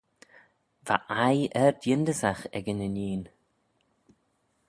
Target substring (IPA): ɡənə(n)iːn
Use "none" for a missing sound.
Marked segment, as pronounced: n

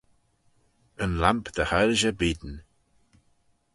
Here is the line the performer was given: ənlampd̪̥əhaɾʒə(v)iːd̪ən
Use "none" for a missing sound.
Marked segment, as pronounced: b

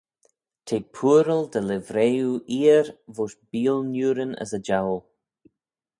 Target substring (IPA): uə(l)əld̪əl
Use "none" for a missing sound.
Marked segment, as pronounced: ɾ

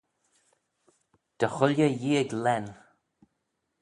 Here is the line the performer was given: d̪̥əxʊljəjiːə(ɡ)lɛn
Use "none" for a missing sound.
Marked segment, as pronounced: ɡ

